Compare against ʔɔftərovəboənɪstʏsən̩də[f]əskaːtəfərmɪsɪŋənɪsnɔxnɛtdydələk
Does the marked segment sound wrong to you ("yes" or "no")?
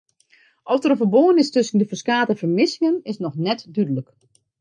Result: no